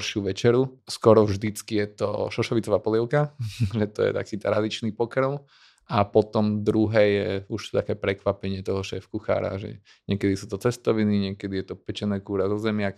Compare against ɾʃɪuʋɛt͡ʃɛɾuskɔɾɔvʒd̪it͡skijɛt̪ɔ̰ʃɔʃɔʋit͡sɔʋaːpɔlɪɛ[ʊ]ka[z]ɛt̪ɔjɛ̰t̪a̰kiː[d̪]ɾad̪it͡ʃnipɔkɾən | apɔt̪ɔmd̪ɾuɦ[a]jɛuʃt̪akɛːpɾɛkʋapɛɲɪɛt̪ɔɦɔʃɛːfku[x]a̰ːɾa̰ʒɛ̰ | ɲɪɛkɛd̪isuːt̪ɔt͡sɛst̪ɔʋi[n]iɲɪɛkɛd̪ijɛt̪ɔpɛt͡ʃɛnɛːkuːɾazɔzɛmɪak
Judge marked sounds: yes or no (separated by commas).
yes, no, no, no, yes, yes